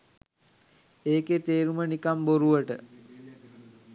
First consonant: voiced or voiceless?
voiceless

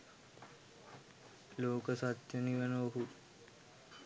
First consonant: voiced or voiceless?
voiced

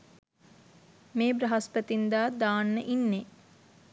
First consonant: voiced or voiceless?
voiced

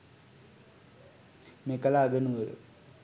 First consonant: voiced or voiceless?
voiced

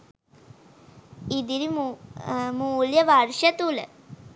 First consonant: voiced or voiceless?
voiced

